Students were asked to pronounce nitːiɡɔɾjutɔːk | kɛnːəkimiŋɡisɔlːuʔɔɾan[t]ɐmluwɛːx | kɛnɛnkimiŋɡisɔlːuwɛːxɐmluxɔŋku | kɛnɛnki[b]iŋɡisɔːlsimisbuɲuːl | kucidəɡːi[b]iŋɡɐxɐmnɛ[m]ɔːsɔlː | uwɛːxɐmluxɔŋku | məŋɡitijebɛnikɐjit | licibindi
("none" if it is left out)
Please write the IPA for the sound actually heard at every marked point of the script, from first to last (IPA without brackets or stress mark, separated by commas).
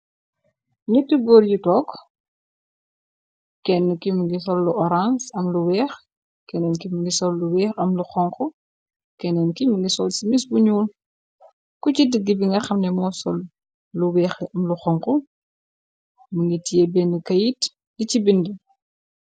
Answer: s, m, b, m